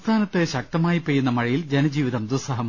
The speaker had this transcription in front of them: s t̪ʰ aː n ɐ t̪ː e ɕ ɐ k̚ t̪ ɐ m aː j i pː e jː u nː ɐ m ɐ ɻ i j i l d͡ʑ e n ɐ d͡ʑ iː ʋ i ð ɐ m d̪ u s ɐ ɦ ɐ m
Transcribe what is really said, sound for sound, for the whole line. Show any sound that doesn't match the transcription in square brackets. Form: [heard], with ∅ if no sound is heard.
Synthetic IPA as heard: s t̪ʰ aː n ɐ t̪ː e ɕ ɐ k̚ t̪ ɐ m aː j i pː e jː u nː ɐ m ɐ ɻ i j i l d͡ʑ e n ɐ d͡ʑ iː ʋ i ð ɐ m d̪ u s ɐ ɦ ɐ m